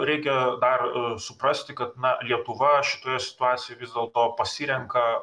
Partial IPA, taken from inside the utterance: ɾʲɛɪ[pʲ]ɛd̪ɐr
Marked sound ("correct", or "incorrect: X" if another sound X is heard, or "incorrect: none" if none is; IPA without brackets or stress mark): incorrect: kʲ